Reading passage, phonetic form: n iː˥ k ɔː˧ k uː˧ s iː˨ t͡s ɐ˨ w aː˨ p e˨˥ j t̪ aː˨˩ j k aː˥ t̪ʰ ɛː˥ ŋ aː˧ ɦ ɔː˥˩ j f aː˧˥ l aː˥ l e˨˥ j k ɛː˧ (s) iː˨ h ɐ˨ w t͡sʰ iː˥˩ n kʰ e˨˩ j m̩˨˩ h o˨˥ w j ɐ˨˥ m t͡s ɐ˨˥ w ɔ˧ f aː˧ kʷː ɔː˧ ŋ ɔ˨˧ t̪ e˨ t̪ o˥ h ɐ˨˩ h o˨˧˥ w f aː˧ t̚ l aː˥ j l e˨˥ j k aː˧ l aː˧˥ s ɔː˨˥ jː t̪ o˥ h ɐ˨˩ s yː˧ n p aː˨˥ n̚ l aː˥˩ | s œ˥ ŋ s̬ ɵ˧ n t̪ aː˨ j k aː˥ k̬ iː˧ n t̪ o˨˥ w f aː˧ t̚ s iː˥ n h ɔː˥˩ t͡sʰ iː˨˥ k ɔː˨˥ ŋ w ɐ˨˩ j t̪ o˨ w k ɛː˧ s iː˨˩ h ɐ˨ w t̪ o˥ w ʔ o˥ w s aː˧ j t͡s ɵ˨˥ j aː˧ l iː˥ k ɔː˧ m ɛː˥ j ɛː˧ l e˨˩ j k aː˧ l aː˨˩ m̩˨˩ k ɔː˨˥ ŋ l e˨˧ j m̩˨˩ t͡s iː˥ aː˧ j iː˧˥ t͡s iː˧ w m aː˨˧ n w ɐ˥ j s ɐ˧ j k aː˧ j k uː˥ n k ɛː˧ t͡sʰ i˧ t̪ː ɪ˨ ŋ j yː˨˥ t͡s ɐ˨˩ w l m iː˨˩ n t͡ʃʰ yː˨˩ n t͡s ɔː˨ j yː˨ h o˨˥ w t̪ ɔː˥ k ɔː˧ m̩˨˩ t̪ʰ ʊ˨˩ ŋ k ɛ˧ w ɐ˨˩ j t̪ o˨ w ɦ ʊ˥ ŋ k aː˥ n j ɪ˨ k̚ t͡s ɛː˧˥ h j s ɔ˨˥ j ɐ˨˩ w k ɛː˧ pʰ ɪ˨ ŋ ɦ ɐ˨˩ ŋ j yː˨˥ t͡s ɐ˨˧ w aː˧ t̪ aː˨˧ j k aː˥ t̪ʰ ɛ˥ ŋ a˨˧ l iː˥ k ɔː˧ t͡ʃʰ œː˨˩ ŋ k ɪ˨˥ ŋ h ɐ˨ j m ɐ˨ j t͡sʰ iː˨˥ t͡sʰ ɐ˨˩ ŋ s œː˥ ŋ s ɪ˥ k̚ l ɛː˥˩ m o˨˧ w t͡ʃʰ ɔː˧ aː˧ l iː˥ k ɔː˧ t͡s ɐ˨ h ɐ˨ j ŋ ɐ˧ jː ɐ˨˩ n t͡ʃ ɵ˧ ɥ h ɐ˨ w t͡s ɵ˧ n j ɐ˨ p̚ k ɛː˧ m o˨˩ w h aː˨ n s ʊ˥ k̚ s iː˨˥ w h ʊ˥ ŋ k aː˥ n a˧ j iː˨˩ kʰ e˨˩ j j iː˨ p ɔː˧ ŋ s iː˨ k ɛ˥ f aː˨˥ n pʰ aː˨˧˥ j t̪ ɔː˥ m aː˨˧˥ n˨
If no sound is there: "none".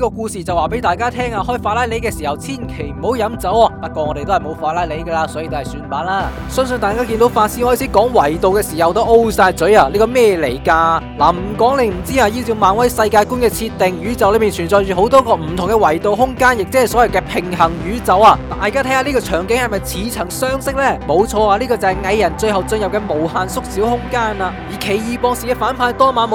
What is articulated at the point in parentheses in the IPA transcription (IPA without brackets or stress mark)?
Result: s